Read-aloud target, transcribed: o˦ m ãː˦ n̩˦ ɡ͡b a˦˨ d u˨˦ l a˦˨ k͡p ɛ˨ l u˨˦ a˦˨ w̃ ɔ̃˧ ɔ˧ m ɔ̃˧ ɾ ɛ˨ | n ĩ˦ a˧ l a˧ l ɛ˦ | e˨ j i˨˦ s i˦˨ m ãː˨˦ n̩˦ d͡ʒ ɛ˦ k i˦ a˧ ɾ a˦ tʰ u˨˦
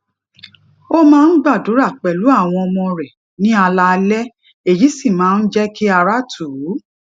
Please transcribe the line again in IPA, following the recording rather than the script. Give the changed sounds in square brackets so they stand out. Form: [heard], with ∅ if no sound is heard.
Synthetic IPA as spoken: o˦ m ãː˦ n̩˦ ɡ͡b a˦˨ d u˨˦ [ɾ] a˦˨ k͡p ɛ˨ l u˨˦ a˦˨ w̃ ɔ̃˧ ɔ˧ m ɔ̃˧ ɾ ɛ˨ | n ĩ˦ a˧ l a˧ l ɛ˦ | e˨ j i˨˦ s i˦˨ m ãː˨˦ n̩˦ d͡ʒ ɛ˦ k i˦ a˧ ɾ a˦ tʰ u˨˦